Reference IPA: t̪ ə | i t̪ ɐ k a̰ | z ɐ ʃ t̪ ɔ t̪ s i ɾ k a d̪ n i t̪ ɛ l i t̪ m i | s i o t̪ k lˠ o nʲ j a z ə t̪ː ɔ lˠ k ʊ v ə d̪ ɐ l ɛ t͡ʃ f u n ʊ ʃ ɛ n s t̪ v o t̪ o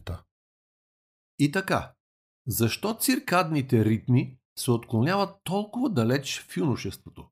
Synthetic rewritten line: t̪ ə | i t̪ ɐ k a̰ | z ɐ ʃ t̪ ɔ t̪ s i ɾ k a d̪ n i t̪ ɛ ɾ i t̪ m i | s ɛ o t̪ k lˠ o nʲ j a v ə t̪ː ɔ lˠ k ʊ v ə d̪ ɐ l ɛ t͡ʃ f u n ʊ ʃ ɛ s t̪ v o t̪ o